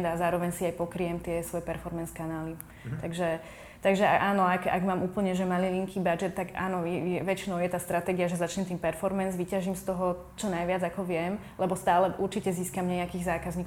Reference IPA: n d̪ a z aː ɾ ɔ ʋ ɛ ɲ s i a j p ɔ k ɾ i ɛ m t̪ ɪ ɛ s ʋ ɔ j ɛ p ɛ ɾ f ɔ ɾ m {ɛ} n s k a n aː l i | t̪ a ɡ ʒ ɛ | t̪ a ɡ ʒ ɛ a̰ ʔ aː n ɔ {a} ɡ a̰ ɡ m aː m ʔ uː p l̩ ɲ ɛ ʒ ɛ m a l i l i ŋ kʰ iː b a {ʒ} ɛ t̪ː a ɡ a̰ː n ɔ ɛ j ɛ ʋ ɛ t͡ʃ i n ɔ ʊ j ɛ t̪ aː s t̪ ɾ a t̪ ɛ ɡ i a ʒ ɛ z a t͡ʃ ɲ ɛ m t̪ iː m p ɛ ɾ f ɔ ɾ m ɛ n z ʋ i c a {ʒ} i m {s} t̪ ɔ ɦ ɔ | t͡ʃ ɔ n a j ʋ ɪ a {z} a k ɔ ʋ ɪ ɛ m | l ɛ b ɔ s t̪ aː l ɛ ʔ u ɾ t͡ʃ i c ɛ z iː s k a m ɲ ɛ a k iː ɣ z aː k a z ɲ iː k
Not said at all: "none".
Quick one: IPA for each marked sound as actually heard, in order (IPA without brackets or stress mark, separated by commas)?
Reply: ɛ, a, d͡ʒ, ʒ, s, d͡z